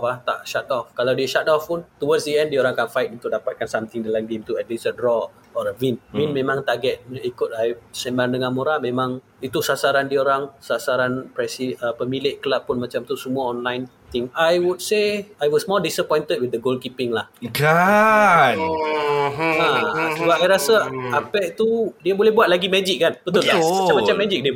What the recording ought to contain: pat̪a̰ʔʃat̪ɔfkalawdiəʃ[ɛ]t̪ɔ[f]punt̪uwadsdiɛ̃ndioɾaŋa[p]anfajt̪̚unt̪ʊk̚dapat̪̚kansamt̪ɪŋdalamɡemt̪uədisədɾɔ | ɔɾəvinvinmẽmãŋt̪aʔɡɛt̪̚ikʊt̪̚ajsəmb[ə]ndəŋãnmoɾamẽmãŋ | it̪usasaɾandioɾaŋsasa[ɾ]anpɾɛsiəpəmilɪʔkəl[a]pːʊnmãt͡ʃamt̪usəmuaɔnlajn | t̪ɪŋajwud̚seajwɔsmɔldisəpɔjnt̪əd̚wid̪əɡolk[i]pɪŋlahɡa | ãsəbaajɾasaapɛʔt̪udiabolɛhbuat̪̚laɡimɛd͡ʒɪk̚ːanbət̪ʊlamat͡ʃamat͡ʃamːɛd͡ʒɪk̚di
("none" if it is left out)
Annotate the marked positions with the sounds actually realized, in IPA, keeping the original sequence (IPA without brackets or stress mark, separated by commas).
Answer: a, f, k, a, ɾ, a, i